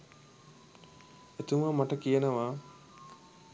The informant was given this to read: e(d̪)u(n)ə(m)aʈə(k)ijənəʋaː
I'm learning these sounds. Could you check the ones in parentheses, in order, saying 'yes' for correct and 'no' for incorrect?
no, no, yes, yes

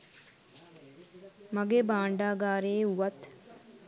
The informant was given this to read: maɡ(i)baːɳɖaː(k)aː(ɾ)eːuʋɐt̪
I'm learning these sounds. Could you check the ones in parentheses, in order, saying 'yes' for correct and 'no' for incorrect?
no, no, yes

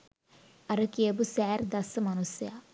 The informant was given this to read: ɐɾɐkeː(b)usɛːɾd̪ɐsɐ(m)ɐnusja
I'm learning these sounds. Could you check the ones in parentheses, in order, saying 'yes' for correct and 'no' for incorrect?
yes, yes

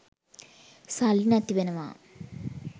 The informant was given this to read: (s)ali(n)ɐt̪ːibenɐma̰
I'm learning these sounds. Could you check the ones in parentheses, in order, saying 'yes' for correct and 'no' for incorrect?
yes, yes

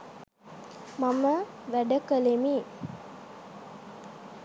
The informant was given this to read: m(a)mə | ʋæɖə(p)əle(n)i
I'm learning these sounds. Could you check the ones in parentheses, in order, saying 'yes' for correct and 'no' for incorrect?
yes, no, no

